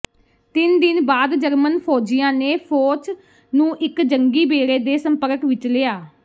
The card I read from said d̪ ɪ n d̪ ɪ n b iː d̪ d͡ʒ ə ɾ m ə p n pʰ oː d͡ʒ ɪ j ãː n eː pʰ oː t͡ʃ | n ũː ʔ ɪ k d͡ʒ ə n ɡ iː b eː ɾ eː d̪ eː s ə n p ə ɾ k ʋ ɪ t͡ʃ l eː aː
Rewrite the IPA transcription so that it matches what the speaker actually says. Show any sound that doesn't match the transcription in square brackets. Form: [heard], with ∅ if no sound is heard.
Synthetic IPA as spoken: [t̪] ɪ n d̪ ɪ n b [aː] d̪ d͡ʒ ə ɾ m ə [∅] n pʰ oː d͡ʒ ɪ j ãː n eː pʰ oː t͡ʃ | n ũː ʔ ɪ k d͡ʒ ə [ŋ] ɡ iː b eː ɾ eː d̪ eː s ə [m] p ə ɾ k ʋ ɪ t͡ʃ l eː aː